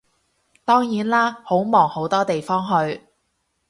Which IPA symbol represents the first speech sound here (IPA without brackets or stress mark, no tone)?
t̪